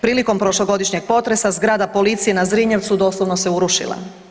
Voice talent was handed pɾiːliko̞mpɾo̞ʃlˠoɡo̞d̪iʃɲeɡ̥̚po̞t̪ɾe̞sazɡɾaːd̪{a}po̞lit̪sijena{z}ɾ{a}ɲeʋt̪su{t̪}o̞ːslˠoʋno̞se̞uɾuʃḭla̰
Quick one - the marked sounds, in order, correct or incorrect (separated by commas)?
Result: correct, correct, incorrect, incorrect